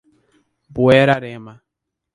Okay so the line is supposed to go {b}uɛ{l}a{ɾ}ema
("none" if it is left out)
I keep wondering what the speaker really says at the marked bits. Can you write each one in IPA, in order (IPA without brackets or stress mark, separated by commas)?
b, ɾ, ɾ